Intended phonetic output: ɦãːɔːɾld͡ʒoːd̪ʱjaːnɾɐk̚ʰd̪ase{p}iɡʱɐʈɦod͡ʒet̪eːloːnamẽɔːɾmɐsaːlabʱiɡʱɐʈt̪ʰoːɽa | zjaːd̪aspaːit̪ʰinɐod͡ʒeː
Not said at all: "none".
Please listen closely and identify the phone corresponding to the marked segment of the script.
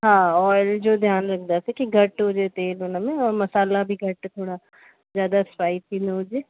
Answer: k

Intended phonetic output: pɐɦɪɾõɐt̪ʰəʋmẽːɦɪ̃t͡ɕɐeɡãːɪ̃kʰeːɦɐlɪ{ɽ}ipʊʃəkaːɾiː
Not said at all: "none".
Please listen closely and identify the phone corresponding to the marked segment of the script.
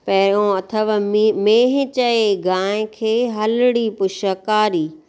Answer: ɽ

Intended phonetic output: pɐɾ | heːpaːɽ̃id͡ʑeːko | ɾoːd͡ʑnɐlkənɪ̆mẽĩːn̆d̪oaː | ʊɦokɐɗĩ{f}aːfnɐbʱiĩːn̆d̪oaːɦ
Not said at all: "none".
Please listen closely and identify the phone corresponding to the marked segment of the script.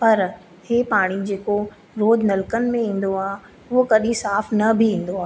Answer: s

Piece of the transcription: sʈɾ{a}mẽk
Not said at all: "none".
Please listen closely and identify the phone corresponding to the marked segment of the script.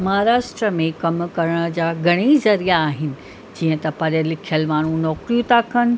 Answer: ə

